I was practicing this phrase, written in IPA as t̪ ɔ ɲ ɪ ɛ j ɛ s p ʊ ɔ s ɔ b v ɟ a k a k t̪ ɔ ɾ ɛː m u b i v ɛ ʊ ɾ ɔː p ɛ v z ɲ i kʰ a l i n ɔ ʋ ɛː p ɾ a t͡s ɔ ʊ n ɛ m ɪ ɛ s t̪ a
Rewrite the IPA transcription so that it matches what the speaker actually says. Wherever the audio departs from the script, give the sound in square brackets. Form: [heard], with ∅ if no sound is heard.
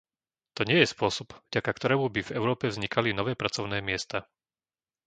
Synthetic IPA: t̪ ɔ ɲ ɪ ɛ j ɛ s p ʊ ɔ s ɔ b v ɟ a k a k t̪ ɔ ɾ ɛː m u b i v ɛ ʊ ɾ ɔː p ɛ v z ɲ i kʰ a l i n ɔ ʋ ɛː p ɾ a t͡s ɔ ʊ n [ɛː] m ɪ ɛ s t̪ a